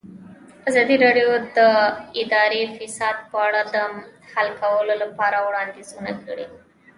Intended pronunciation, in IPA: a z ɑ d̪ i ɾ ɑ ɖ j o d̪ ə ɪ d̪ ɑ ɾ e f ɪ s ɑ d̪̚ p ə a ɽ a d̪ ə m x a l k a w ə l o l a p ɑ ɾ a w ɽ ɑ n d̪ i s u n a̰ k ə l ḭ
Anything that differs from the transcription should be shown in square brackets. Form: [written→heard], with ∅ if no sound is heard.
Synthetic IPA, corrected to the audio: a z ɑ d̪ i ɾ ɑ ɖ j o d̪ ə ɪ d̪ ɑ ɾ e f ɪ s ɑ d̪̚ p ə a ɽ a d̪ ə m [x→h] a l k a w ə l o l a p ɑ ɾ a w ɽ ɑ n d̪ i [s→z] u n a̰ k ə [l→ɽ] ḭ